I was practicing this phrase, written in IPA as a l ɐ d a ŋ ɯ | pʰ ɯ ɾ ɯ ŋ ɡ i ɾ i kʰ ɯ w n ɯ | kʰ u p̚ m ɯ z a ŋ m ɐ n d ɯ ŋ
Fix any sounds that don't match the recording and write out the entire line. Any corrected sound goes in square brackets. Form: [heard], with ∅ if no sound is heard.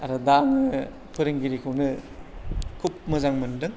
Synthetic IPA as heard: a [ɾ] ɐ d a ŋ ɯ | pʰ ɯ ɾ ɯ ŋ ɡ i ɾ i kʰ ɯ w n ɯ | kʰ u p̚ m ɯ z a ŋ m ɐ n d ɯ ŋ